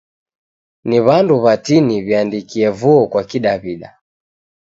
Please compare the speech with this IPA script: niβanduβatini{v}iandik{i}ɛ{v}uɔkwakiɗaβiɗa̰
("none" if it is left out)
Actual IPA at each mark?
β, i, v

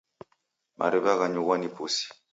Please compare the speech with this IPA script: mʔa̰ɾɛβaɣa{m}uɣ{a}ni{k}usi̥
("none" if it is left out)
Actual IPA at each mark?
ɲ, a, p

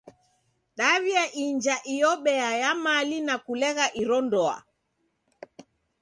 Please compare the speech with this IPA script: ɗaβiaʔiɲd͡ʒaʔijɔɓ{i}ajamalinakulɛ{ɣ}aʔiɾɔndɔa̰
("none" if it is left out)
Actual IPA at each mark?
ɛ, ɣ

